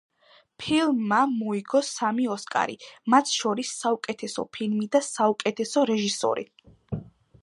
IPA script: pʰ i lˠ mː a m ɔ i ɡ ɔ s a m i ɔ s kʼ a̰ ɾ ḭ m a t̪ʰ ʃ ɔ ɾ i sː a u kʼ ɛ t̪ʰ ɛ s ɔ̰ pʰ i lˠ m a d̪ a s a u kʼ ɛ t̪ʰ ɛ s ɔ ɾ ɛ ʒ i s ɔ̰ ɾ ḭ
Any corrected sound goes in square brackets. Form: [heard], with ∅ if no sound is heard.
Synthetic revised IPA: pʰ i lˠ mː a m ɔ i ɡ ɔ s a m i ɔ s kʼ a̰ ɾ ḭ m a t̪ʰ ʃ ɔ ɾ i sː a u kʼ ɛ t̪ʰ ɛ s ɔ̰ pʰ i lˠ m [i] d̪ a s a u kʼ ɛ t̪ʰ ɛ s ɔ ɾ ɛ ʒ i s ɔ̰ ɾ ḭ